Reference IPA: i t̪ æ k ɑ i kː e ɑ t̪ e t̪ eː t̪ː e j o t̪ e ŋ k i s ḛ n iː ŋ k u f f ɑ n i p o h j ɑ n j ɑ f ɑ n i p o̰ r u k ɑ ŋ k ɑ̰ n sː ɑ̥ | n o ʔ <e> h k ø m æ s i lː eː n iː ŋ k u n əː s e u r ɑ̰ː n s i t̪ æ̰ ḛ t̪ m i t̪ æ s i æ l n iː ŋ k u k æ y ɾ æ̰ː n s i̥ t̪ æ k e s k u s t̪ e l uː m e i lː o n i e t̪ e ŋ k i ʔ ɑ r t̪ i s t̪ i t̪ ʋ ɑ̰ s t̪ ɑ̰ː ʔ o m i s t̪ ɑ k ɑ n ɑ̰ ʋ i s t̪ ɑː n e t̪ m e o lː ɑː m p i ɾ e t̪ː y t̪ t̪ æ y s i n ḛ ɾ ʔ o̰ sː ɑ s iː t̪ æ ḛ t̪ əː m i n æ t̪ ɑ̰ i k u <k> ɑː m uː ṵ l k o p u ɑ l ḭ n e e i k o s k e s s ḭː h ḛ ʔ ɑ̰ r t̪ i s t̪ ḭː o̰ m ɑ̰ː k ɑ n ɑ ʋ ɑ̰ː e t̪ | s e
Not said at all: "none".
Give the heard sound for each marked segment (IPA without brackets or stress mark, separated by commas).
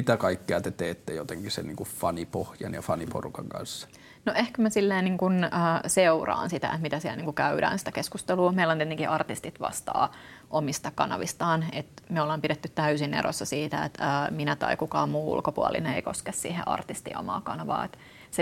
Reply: e, k